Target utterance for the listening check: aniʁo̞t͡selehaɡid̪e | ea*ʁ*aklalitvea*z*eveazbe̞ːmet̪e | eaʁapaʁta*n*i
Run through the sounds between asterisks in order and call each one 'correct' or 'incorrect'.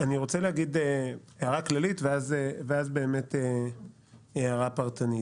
correct, correct, correct

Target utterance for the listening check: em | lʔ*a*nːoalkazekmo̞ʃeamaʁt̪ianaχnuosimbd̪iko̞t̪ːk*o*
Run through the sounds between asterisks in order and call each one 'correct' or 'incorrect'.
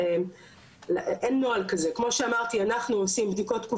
incorrect, incorrect

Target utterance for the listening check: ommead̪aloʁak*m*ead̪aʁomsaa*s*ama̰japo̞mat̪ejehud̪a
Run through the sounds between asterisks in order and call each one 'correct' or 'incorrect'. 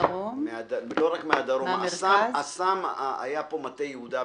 correct, correct

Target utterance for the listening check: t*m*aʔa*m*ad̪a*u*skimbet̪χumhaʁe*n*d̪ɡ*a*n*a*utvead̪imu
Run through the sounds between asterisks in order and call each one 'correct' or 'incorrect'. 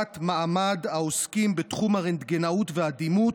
correct, correct, incorrect, correct, incorrect, correct

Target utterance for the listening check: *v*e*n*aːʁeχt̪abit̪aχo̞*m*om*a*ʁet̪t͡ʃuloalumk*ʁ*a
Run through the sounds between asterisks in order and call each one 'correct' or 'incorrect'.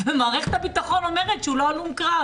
correct, incorrect, incorrect, incorrect, correct

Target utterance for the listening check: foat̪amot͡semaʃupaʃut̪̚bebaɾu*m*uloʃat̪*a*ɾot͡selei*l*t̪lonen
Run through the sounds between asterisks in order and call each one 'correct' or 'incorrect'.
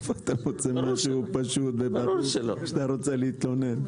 incorrect, correct, incorrect

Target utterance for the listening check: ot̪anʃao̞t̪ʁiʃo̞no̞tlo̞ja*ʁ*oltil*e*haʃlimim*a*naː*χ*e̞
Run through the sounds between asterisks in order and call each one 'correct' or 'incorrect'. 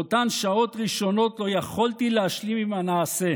incorrect, correct, correct, incorrect

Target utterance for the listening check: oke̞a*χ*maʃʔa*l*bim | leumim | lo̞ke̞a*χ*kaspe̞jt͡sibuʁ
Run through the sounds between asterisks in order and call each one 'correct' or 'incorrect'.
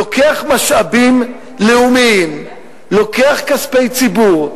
correct, incorrect, correct

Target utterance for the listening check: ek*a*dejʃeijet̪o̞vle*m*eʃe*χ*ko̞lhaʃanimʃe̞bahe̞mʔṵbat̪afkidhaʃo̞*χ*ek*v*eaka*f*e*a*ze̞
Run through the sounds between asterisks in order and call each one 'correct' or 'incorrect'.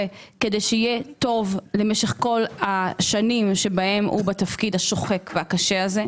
incorrect, correct, correct, correct, correct, incorrect, correct

